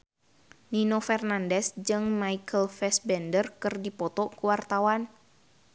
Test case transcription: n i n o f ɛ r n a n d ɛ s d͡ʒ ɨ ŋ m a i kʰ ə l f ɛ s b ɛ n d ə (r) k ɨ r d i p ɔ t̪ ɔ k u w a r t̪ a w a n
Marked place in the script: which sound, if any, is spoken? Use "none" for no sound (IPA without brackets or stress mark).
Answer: r